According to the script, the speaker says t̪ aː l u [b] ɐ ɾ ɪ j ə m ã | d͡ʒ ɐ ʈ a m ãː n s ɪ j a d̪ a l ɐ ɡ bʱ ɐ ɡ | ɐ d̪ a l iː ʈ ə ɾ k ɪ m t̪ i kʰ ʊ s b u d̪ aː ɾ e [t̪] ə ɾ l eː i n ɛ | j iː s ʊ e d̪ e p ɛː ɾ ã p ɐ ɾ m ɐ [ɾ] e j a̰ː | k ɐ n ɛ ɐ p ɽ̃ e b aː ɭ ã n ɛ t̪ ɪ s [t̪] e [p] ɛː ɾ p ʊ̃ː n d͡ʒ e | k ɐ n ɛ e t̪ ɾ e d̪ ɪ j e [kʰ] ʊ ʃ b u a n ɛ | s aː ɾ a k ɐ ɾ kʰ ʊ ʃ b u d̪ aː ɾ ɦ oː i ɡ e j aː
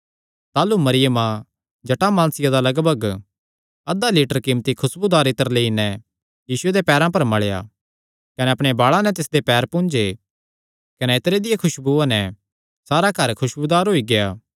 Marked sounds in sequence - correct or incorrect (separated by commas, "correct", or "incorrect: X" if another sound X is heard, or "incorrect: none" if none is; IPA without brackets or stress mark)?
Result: incorrect: m, correct, incorrect: ɭ, incorrect: d̪, correct, correct